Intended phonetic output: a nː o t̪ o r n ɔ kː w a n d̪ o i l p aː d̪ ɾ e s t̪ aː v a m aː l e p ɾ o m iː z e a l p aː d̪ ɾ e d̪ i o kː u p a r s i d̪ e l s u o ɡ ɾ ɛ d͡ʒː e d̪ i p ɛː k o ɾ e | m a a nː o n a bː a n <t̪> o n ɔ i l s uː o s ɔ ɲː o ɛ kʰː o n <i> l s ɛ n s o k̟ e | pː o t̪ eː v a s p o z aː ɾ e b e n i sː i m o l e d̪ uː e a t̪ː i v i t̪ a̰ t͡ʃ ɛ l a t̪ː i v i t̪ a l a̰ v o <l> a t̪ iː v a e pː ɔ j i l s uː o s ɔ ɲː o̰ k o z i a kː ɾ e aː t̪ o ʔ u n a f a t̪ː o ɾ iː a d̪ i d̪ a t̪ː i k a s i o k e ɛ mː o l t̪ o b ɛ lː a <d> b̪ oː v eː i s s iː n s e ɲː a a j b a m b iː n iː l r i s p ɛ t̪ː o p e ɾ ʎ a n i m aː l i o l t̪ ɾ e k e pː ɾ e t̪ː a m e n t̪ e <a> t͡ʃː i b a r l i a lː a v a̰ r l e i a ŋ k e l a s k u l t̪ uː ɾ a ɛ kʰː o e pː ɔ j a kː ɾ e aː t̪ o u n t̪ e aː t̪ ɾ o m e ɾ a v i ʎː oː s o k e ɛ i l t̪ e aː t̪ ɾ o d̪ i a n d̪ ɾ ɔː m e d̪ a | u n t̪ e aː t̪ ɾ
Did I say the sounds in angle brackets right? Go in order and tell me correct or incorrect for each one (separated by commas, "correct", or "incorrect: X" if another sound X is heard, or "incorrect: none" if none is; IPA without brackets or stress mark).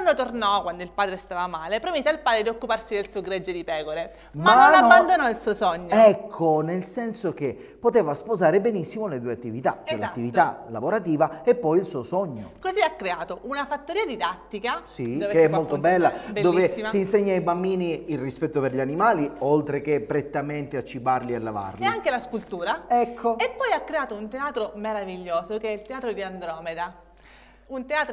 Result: incorrect: d̪, incorrect: e, incorrect: ɾ, correct, correct